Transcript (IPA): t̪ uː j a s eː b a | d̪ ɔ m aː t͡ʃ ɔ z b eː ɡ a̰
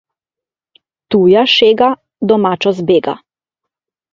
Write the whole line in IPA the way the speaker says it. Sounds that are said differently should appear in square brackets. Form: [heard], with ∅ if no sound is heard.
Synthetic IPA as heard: t̪ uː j a [ʃ] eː [ɡ] a | d̪ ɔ m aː t͡ʃ ɔ z b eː ɡ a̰